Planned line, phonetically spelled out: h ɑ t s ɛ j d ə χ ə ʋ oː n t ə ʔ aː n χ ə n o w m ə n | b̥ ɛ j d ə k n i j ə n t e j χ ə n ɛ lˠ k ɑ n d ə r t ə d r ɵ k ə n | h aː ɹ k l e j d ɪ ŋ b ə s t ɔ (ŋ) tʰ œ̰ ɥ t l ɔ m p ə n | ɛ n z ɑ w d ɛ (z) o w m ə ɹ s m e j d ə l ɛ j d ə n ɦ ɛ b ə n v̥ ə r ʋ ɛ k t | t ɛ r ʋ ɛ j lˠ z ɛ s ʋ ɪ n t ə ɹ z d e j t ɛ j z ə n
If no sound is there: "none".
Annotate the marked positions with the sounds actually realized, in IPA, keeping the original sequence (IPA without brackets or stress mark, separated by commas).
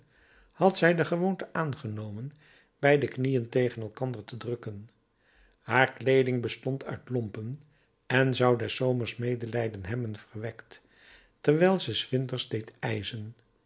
n, s